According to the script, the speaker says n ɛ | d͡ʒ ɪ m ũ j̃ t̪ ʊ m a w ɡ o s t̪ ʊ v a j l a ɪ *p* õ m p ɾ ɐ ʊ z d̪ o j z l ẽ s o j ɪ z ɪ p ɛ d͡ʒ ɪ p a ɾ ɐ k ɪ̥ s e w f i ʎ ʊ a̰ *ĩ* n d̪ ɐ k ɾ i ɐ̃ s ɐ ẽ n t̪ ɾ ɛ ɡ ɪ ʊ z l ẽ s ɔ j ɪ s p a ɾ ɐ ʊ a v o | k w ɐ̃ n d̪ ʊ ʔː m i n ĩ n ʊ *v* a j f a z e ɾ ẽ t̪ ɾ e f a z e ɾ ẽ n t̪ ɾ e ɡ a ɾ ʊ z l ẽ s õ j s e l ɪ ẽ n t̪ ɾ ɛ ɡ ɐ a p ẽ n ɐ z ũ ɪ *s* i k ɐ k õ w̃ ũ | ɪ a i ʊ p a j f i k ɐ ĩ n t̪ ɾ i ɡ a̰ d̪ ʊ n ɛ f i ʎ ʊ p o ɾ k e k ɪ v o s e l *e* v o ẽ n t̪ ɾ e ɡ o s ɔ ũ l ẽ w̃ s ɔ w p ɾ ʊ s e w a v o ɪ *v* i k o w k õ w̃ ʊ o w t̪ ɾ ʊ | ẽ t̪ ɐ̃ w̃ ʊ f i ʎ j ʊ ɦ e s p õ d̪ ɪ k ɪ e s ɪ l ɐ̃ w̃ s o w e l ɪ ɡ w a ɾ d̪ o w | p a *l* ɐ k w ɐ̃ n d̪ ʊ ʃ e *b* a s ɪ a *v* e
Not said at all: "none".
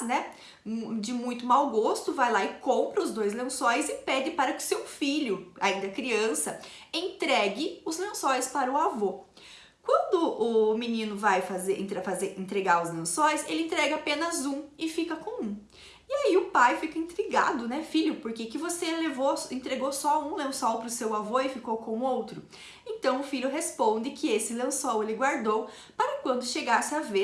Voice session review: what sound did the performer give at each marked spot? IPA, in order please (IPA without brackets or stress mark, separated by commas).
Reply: k, ĩ, v, f, e, f, ɾ, ɡ, v